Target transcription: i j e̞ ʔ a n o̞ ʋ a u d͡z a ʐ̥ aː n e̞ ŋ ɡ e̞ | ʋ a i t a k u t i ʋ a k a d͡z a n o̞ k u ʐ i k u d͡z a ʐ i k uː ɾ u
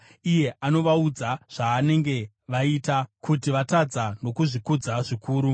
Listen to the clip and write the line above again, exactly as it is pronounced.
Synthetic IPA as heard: i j e̞ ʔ a n o̞ ʋ a u d͡z a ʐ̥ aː n e̞ ŋ ɡ e̞ | ʋ a i t a k u t i ʋ a t a d͡z a n o̞ k u ʐ i k u d͡z a ʐ i k uː ɾ u